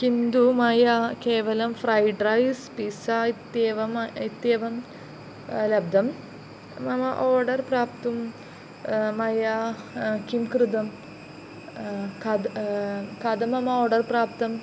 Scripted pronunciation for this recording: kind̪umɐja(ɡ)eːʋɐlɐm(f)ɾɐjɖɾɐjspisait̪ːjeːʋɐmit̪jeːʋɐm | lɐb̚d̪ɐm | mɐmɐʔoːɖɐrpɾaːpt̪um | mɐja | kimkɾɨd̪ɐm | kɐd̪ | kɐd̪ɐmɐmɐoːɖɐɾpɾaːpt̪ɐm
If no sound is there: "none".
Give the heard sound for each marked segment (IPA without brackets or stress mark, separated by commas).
k, f